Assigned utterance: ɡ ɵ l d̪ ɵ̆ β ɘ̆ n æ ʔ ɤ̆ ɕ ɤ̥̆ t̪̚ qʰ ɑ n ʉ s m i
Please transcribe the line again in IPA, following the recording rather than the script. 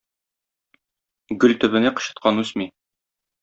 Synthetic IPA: ɡ ɵ l t̪ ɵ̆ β ɘ̆ n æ q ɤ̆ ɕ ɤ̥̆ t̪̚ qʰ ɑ n ʉ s m i